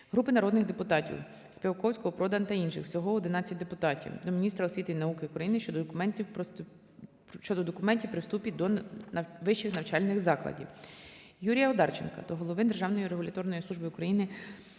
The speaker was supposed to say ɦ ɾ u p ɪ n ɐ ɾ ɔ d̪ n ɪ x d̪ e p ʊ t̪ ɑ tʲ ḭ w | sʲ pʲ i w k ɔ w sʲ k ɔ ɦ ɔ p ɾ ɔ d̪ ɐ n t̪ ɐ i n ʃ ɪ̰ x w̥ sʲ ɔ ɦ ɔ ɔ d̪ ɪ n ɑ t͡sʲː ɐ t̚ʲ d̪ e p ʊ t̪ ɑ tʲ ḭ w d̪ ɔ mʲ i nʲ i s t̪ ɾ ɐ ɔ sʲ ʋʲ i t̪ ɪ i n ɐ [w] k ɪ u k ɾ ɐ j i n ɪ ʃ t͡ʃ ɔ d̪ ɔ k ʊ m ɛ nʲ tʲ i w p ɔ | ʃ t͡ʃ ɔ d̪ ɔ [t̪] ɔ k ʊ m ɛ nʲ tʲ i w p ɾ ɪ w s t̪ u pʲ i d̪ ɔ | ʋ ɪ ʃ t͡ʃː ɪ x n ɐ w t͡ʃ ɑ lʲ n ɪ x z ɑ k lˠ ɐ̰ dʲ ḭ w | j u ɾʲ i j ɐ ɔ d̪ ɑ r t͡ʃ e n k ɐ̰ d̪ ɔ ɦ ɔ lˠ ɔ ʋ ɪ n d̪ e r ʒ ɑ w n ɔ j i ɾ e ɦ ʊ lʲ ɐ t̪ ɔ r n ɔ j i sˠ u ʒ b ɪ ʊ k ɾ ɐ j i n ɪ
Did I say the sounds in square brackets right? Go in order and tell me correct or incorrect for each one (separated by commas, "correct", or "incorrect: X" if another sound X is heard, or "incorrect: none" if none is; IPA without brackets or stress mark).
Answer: incorrect: u, incorrect: d̪